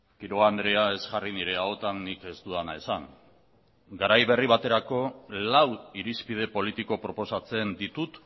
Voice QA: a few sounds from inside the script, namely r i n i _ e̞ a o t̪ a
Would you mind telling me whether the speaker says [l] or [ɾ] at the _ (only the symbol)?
ɾ